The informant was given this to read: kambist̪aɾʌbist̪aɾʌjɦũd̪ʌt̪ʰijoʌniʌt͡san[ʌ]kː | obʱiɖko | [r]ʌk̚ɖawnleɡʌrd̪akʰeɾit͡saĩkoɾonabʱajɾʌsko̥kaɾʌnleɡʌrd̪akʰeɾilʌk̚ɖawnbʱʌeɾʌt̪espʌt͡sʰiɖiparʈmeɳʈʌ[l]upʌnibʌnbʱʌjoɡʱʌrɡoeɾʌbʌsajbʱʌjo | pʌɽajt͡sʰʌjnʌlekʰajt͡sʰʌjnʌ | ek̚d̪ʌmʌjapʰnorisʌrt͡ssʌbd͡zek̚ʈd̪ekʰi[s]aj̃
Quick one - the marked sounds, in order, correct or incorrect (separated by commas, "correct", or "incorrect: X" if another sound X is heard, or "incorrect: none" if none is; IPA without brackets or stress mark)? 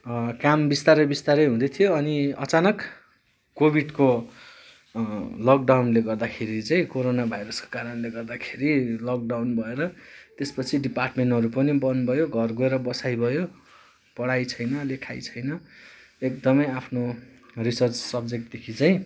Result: correct, incorrect: l, incorrect: ɾ, incorrect: t͡s